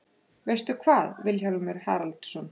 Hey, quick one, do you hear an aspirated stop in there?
yes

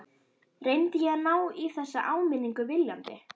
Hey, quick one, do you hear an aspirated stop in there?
no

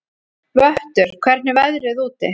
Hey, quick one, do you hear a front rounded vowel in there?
yes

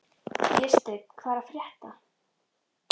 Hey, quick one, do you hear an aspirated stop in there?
yes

